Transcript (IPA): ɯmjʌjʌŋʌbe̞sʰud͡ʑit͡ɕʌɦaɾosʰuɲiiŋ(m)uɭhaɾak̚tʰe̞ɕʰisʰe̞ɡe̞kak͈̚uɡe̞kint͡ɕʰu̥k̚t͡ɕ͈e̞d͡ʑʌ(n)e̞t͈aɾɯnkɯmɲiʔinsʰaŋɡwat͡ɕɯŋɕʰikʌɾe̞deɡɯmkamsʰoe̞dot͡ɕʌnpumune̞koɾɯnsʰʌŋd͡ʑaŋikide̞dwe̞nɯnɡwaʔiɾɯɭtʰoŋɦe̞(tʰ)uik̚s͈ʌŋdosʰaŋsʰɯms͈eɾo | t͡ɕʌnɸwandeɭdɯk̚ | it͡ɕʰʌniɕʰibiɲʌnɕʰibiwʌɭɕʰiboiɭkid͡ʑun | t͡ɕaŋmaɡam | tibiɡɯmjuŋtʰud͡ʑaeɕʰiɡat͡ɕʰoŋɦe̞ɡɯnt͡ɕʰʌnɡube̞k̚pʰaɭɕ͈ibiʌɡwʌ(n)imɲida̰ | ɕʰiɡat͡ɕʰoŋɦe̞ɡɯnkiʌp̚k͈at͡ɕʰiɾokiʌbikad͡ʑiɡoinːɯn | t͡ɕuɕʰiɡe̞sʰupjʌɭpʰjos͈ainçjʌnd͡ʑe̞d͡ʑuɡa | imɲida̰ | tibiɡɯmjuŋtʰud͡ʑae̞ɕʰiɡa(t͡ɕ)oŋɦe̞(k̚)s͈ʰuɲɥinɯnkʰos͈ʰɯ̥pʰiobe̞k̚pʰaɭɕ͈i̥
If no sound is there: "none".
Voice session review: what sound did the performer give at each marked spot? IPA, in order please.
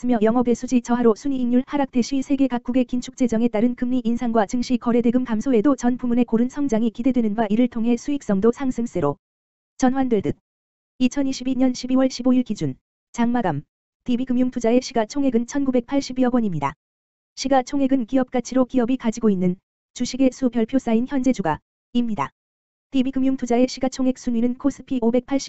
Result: ɲ, ŋ, sʰ, ɲ, t͡ɕʰ, k̚

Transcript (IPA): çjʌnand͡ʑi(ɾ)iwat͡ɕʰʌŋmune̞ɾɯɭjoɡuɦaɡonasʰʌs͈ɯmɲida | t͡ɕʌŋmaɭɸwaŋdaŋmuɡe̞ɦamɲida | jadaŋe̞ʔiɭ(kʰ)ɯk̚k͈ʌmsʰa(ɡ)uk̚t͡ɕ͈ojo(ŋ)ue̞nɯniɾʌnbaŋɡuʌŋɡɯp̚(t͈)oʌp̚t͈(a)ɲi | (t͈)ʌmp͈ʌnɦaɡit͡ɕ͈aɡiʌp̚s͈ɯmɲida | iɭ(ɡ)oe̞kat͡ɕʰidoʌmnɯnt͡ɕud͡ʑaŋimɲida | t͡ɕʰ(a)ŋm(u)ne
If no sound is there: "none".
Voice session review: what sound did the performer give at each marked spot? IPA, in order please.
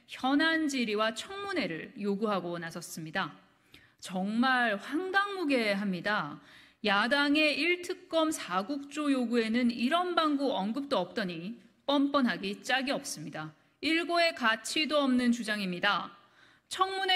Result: ɾ, tʰ, ɡ, ɡ, t͈, ʌ, p͈, ɡ, ʌ, u

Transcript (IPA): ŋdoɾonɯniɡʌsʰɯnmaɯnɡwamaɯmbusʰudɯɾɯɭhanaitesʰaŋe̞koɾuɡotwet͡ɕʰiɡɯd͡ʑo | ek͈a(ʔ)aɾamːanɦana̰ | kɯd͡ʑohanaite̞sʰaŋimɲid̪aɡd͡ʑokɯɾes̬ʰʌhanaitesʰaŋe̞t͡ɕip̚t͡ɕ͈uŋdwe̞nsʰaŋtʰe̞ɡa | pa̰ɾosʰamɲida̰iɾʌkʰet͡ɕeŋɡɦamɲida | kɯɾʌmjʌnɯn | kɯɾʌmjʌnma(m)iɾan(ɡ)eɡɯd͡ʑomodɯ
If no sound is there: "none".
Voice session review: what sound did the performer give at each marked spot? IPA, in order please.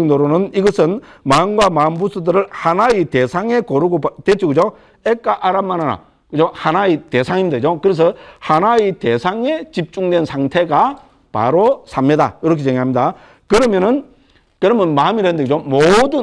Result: ʔ, m, d

